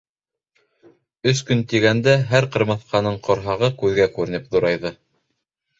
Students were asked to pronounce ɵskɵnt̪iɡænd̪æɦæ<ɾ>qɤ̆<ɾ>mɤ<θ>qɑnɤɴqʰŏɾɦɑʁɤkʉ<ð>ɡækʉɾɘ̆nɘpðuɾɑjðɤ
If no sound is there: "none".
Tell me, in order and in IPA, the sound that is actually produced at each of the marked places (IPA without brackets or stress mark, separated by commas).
ɾ, ɾ, θ, ð